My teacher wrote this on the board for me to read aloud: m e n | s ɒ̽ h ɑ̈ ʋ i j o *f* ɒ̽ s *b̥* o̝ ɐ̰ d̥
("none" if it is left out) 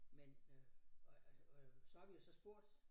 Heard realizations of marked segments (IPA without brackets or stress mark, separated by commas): s, b̥